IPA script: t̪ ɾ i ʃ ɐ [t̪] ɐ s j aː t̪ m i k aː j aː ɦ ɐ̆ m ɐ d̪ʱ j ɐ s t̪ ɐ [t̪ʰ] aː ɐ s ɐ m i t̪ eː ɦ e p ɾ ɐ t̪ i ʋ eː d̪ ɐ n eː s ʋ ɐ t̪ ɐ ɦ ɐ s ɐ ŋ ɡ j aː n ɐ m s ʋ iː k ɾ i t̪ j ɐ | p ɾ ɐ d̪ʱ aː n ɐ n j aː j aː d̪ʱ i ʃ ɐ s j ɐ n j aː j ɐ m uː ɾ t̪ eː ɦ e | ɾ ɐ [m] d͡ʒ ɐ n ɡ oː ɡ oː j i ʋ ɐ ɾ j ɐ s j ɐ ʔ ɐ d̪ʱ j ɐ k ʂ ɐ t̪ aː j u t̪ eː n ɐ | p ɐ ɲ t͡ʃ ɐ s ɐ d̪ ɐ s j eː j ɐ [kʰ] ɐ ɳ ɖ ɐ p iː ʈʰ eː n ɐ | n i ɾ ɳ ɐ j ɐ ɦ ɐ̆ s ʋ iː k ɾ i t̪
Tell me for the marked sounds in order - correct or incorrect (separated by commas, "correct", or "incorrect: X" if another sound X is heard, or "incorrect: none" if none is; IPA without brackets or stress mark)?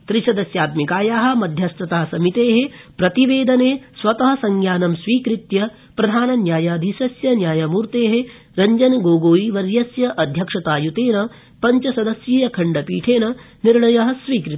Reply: incorrect: d̪, incorrect: t̪, incorrect: ɲ, correct